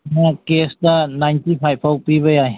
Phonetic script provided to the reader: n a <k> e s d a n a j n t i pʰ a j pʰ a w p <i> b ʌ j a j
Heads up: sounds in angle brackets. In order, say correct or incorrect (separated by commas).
correct, correct